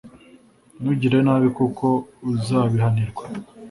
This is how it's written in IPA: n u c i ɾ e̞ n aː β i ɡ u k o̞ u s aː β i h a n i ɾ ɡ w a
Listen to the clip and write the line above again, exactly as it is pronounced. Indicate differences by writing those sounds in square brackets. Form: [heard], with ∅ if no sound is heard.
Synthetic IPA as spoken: n u [ɟ] i ɾ e̞ n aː β i [k] u k o̞ u [z] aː β i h a n i ɾ ɡ w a